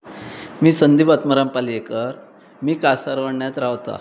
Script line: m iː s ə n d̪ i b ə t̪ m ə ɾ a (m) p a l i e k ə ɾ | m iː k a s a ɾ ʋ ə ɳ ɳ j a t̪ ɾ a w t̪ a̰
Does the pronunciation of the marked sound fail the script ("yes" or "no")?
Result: no